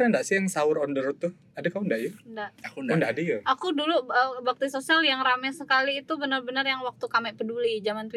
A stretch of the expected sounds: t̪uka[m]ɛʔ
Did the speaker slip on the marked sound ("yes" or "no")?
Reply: no